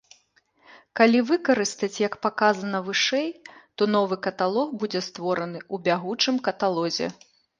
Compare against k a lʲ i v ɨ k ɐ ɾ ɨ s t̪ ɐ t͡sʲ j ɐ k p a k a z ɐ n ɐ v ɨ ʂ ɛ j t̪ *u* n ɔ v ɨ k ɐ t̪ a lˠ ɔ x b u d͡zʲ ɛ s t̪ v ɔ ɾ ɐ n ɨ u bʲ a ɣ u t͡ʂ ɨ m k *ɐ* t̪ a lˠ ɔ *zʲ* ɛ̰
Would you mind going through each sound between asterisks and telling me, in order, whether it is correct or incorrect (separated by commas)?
incorrect, correct, correct